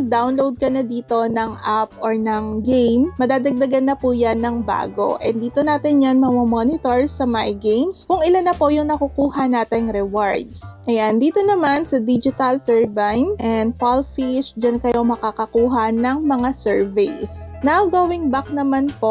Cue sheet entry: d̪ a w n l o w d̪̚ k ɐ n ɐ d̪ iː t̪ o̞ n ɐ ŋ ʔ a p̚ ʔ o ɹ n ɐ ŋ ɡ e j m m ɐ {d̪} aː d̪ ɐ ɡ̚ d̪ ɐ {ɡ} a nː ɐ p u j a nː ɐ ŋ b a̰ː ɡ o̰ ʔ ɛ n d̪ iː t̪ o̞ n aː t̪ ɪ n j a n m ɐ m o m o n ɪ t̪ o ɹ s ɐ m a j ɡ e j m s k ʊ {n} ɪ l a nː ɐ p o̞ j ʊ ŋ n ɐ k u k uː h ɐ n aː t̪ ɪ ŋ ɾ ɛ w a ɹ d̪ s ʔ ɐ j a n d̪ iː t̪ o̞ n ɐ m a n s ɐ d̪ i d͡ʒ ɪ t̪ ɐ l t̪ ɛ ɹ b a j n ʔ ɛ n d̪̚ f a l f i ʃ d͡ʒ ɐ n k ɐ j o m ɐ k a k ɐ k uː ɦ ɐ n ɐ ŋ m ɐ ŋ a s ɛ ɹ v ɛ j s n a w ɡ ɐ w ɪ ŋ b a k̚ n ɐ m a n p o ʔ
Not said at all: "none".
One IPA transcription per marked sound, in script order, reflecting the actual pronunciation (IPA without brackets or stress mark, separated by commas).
d̪, ɡ, ŋ